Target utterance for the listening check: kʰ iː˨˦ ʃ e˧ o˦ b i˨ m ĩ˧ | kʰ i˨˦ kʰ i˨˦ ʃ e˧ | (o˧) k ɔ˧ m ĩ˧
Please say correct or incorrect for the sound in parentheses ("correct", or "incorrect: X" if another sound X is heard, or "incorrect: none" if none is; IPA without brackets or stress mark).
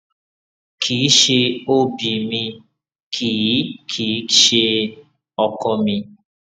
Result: incorrect: ɔ˧